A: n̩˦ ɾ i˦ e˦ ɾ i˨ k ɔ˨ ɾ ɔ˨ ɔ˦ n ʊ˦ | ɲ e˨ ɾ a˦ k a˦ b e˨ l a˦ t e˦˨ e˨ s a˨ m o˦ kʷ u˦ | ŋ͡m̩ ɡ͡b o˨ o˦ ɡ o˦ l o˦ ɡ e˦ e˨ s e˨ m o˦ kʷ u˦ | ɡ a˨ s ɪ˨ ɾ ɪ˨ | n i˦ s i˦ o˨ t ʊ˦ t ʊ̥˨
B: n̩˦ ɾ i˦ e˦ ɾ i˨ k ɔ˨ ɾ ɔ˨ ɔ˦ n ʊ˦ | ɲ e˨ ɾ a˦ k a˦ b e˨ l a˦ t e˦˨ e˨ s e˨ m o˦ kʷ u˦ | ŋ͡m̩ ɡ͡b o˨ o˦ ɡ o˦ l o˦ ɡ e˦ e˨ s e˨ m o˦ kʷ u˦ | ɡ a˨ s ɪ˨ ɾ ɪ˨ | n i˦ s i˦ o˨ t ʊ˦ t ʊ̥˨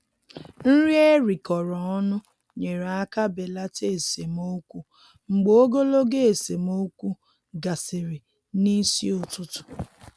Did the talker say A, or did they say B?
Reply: B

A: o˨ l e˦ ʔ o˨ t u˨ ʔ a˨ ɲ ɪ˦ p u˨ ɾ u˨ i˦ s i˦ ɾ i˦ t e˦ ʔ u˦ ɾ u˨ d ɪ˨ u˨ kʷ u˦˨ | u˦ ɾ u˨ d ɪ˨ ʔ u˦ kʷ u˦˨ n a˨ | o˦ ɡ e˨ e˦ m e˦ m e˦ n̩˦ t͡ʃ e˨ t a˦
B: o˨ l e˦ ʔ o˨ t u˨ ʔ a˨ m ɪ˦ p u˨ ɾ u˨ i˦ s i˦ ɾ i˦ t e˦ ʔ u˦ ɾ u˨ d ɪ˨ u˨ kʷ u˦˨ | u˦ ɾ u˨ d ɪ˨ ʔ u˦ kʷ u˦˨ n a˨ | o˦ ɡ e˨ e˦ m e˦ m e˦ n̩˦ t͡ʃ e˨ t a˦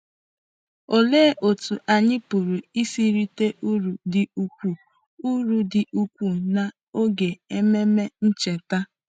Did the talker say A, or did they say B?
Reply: A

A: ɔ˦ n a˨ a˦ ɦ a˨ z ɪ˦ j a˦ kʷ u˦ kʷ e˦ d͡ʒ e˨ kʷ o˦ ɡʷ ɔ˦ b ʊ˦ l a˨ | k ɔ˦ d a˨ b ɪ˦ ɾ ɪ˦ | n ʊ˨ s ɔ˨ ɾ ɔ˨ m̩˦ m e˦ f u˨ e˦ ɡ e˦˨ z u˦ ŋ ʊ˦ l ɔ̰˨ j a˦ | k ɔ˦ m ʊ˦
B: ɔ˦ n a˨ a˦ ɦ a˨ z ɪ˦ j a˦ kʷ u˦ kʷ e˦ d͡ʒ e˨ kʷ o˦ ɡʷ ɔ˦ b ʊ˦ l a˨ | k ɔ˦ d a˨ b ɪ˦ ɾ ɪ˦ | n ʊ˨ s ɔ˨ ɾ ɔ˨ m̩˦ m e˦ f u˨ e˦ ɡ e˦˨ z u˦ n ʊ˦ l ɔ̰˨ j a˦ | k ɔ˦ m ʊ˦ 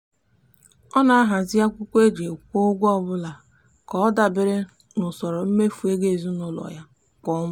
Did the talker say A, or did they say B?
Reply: B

